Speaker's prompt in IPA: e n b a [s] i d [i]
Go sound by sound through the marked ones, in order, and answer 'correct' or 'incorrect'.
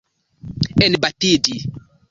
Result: incorrect, correct

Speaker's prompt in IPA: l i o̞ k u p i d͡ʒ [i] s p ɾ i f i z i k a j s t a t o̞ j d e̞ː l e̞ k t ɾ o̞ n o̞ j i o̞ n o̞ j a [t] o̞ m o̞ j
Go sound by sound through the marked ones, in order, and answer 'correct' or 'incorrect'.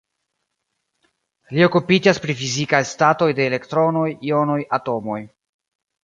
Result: incorrect, correct

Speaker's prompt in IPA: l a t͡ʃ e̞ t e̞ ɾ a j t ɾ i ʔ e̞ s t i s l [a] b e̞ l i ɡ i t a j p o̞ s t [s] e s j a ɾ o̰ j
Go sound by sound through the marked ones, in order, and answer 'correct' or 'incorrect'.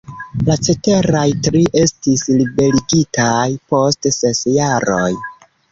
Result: incorrect, correct

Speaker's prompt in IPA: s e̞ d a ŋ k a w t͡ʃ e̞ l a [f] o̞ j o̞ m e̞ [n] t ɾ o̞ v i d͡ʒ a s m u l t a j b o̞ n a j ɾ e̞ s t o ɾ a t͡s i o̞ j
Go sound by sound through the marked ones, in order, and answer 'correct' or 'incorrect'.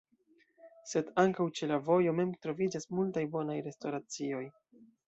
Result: incorrect, incorrect

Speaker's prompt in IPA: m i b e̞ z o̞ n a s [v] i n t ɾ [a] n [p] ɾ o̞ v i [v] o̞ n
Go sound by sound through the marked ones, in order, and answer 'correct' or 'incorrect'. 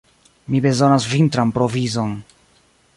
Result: correct, correct, correct, incorrect

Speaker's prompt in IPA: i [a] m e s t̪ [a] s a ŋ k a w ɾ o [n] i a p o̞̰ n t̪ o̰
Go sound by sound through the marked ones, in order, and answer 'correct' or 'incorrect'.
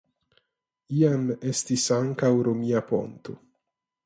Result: correct, incorrect, incorrect

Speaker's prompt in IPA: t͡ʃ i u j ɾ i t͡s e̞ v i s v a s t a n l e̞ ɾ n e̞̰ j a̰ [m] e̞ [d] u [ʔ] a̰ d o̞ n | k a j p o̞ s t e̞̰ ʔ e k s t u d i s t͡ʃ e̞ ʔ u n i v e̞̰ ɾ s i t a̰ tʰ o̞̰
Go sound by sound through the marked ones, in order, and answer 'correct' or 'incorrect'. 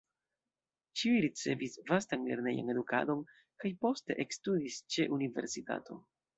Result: incorrect, correct, incorrect

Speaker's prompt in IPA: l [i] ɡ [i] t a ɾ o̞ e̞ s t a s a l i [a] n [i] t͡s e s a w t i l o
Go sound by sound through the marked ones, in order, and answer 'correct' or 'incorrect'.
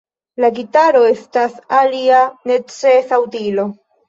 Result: incorrect, correct, correct, incorrect

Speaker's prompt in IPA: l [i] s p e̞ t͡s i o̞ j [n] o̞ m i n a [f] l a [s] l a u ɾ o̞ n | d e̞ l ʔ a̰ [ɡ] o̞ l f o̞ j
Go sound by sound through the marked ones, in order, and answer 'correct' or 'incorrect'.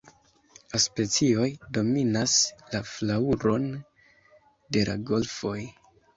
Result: incorrect, incorrect, incorrect, incorrect, correct

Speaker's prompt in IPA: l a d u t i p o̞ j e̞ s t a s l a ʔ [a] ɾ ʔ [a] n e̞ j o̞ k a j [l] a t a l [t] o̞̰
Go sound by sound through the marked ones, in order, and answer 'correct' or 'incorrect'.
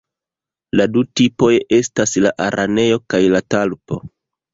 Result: correct, correct, correct, incorrect

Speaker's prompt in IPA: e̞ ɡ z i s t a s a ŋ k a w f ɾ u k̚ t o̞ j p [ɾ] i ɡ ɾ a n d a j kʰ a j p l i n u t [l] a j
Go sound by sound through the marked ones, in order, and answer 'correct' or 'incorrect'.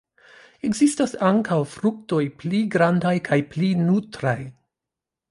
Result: incorrect, incorrect

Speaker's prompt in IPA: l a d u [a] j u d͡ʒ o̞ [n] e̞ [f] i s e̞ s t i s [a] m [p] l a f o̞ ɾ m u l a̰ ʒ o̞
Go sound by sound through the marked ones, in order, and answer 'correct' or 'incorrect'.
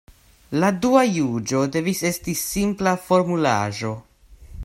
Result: correct, incorrect, incorrect, incorrect, correct

